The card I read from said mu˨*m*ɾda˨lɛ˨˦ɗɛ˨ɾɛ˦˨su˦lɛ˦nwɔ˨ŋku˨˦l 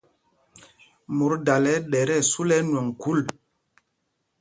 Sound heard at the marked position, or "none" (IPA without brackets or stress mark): none